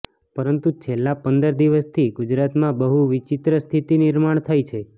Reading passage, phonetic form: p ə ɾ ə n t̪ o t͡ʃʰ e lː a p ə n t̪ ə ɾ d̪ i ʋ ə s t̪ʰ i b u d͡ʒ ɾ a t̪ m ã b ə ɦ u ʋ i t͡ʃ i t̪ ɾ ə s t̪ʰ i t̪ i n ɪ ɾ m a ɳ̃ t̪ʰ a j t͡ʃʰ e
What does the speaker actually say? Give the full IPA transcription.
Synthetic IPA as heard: p ə ɾ ə n t̪ u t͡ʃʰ e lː a p ə n d̪ ə ɾ d̪ i ʋ ə s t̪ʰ i ɡ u d͡ʒ ɾ a t̪ m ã b ə ɦ u ʋ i t͡ʃ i t̪ ɾ ə s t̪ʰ i t̪ i n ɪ ɾ m a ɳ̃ t̪ʰ a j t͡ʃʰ e